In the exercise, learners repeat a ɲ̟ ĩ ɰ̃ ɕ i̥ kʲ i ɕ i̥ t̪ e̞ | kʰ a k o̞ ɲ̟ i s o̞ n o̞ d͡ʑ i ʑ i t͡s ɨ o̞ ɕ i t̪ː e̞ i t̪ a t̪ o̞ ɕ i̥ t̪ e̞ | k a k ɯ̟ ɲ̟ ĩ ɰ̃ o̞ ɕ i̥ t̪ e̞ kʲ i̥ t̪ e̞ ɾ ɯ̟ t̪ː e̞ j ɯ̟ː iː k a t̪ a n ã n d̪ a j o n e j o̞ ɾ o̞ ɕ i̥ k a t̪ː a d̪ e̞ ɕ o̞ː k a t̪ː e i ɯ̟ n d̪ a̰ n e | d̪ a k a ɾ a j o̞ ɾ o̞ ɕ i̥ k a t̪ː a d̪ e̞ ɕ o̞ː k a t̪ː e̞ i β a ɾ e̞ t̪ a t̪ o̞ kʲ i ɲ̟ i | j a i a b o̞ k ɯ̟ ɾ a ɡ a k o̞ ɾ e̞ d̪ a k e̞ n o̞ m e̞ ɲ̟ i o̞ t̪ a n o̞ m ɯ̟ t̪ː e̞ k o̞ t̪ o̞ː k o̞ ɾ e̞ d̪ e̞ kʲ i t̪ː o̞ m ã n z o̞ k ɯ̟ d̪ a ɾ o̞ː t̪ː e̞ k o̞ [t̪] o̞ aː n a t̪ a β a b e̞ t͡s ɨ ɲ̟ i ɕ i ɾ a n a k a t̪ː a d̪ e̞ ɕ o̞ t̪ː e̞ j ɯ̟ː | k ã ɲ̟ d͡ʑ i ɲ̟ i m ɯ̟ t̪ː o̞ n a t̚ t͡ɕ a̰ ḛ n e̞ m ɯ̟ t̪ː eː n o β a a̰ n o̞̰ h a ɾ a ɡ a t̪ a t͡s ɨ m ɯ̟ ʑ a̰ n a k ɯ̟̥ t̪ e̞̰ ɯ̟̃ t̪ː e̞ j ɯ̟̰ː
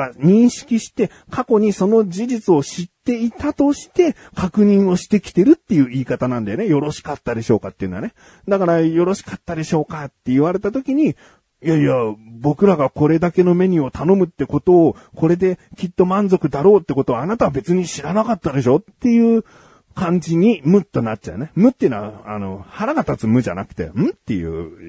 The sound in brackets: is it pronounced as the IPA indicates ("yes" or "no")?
yes